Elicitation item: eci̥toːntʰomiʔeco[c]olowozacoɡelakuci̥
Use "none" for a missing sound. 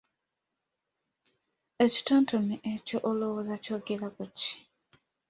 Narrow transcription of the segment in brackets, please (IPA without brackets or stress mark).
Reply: ʔ